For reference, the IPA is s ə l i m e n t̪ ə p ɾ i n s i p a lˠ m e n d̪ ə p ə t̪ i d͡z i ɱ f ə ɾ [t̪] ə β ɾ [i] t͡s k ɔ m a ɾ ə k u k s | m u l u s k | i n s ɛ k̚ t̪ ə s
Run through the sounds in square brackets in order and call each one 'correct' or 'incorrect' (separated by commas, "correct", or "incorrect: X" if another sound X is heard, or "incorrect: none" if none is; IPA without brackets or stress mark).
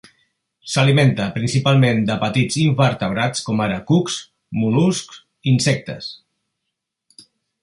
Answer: correct, incorrect: a